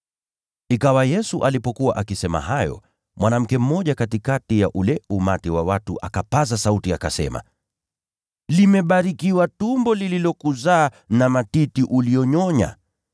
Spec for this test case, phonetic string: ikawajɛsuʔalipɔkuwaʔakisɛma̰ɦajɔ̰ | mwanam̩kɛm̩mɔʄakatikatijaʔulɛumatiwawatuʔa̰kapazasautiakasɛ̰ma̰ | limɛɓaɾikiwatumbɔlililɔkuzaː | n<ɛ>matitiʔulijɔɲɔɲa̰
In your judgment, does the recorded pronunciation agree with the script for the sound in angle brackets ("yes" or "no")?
no